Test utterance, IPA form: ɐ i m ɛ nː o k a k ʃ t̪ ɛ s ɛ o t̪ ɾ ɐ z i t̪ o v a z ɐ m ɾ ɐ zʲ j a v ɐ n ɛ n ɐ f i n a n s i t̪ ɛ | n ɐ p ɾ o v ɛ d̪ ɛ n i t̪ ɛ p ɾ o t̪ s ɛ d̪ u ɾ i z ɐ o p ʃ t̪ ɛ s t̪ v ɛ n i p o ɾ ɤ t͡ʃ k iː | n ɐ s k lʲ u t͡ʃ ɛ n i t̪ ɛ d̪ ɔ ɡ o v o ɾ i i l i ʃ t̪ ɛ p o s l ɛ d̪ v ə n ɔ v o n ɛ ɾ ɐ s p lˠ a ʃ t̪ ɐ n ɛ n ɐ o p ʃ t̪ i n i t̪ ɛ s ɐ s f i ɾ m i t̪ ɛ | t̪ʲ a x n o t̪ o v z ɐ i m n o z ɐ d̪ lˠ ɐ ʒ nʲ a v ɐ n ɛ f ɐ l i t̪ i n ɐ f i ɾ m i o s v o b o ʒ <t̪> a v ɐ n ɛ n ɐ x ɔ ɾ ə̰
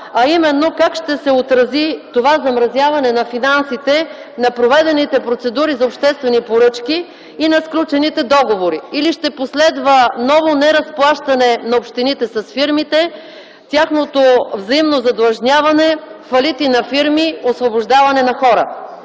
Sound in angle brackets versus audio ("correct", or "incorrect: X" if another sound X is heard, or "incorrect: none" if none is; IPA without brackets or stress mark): incorrect: d̪